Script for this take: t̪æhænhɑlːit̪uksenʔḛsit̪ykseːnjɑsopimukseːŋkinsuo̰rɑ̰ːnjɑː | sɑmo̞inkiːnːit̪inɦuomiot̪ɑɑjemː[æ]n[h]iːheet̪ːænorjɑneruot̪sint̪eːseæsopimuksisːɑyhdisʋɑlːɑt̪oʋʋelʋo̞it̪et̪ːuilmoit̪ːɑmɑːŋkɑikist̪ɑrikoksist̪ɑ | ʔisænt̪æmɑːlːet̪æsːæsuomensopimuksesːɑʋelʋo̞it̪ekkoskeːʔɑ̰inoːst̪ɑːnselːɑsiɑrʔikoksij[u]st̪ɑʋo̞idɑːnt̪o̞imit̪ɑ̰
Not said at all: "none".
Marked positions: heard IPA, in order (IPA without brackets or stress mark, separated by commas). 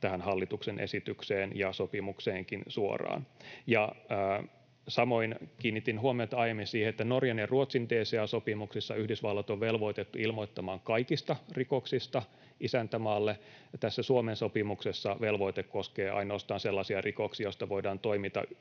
i, s, o